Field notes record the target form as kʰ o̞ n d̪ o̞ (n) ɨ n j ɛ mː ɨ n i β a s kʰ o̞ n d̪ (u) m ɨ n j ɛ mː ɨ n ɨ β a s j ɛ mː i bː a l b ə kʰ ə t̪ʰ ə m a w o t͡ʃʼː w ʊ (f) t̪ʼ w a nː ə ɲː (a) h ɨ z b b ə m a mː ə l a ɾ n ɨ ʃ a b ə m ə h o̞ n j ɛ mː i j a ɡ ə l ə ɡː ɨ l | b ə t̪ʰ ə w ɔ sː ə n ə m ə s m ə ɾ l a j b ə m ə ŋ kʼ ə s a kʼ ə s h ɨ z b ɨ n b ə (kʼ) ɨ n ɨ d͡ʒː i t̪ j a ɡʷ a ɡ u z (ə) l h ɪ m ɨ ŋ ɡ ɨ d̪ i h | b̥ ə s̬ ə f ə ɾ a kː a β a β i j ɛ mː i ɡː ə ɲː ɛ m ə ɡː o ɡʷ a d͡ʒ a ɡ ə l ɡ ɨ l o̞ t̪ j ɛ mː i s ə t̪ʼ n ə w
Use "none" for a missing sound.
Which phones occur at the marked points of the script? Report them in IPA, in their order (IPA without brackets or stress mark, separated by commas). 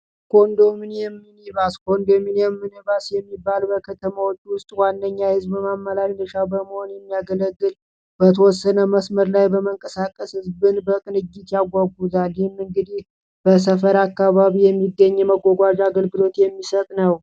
m, o, s, a, kʼ, a